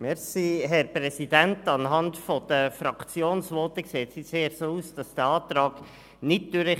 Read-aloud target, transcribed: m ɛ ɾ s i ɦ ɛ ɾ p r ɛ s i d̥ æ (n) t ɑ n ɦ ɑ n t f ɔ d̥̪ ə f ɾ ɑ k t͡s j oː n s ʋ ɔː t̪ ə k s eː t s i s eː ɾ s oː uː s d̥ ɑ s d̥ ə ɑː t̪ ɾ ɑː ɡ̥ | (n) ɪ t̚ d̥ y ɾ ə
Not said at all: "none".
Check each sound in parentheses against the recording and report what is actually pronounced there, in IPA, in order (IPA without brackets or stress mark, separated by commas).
n, n